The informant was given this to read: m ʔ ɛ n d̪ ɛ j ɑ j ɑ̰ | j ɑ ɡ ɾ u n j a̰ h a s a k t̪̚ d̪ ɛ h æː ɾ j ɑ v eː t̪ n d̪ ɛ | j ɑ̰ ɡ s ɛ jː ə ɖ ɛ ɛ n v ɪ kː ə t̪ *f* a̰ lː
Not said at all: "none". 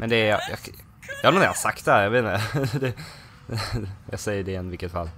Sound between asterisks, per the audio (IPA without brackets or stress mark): f